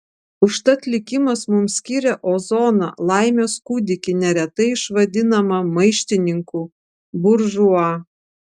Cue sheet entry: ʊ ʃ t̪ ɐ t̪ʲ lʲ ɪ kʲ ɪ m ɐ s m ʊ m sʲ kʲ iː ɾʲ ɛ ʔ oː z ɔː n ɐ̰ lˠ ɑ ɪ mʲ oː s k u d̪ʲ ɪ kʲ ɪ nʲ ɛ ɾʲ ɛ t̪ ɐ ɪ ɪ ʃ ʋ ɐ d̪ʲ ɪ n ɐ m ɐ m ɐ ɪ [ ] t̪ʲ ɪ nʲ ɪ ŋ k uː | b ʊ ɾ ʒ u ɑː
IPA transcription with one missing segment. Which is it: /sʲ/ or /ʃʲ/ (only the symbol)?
ʃʲ